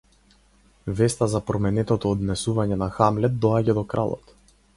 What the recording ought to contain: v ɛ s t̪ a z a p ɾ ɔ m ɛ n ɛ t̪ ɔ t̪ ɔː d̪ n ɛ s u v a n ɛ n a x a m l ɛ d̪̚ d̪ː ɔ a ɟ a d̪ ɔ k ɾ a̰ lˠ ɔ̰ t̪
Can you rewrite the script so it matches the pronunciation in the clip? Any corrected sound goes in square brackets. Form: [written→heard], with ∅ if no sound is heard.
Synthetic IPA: v ɛ s t̪ a z a p ɾ ɔ m ɛ n ɛ t̪ ɔ t̪ ɔː d̪ n ɛ s u v a [n→ɲ] ɛ n a x a m l ɛ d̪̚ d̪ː ɔ a ɟ a d̪ ɔ k ɾ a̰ lˠ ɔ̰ t̪